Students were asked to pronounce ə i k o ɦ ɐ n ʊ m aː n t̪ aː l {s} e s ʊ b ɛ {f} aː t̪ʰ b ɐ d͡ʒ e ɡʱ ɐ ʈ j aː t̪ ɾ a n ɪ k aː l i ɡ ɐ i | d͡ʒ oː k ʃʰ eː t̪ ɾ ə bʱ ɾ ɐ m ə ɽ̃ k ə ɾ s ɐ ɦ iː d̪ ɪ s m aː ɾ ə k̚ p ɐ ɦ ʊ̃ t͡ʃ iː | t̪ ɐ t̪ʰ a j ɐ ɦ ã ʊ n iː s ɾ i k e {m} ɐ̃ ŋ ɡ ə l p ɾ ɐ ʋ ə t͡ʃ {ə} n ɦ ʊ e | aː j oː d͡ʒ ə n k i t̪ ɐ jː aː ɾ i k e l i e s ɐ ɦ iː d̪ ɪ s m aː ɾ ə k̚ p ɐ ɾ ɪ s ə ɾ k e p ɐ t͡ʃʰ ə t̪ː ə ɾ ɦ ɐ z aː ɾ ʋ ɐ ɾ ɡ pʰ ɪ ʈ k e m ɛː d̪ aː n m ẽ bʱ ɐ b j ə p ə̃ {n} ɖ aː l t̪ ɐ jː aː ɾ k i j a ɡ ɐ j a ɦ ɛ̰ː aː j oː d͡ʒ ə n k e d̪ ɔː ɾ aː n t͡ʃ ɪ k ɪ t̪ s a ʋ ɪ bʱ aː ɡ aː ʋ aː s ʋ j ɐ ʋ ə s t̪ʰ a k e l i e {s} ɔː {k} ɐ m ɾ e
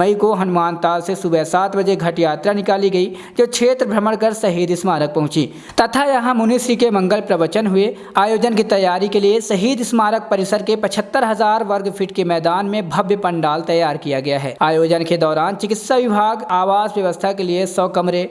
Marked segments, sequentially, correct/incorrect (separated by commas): correct, incorrect, correct, correct, incorrect, correct, correct